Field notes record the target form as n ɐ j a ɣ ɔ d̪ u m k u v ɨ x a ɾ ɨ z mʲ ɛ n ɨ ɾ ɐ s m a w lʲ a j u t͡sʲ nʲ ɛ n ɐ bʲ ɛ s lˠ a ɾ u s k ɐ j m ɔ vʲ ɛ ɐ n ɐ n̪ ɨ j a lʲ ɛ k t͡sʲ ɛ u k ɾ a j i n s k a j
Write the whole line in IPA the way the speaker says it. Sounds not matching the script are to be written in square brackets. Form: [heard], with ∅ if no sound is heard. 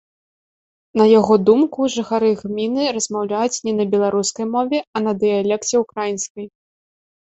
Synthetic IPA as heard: n ɐ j a ɣ ɔ d̪ u m k u [ʐ] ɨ x a ɾ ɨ [ɣ] mʲ [i] n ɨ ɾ ɐ [z] m a w lʲ a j u t͡sʲ nʲ ɛ n ɐ bʲ ɛ [∅] lˠ a ɾ u s k ɐ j m ɔ vʲ ɛ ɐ n ɐ [d̪] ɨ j a lʲ ɛ k t͡sʲ ɛ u k ɾ a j i n s k [ɐ] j